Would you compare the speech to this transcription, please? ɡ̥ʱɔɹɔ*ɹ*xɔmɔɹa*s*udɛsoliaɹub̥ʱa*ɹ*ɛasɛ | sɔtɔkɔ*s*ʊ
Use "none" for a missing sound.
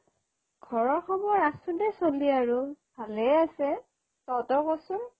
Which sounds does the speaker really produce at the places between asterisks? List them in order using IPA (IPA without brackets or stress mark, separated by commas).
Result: ɹ, s, l, s